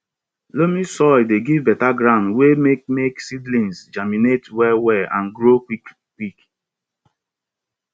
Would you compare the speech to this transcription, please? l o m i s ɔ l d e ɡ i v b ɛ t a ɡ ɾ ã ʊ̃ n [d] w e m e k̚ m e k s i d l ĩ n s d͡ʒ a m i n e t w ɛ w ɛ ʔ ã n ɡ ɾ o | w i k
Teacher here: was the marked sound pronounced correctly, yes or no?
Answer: yes